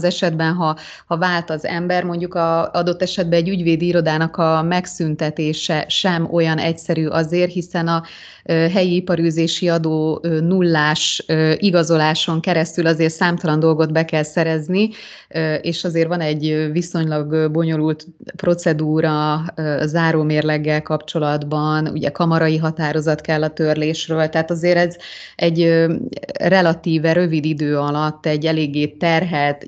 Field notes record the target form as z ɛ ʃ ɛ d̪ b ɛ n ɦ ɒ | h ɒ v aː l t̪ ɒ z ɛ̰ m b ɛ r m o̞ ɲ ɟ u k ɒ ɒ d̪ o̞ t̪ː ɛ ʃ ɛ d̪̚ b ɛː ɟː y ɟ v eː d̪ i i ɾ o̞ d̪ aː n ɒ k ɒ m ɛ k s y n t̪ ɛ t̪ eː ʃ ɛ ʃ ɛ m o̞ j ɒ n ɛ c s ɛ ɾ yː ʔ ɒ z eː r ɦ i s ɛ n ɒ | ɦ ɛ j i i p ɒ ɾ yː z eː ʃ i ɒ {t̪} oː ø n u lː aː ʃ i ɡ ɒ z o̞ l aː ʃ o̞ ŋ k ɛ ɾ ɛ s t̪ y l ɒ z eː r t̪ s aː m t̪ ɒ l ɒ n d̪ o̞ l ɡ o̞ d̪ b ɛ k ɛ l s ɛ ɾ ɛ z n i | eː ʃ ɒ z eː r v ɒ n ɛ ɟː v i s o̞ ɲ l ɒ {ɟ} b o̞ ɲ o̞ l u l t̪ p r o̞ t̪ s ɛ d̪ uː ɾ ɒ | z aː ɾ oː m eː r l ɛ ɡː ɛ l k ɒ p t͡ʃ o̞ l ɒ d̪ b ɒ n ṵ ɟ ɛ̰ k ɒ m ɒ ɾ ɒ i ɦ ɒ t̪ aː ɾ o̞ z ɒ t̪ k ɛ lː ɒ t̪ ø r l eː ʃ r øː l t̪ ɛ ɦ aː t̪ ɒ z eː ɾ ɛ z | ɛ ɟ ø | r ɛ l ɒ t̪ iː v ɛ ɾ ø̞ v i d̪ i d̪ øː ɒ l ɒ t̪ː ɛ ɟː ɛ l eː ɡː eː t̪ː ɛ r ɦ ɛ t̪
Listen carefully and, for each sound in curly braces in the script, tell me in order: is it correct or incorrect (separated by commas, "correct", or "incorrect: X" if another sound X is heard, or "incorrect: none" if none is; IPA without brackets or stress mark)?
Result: incorrect: d̪, incorrect: ɡ